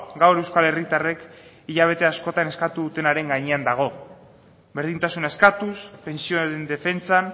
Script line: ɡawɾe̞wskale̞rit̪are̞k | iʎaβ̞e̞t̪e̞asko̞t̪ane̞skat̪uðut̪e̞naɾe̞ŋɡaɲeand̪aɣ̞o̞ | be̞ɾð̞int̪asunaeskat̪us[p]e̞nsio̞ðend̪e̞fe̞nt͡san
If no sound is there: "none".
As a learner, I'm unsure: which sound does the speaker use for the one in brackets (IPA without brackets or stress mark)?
p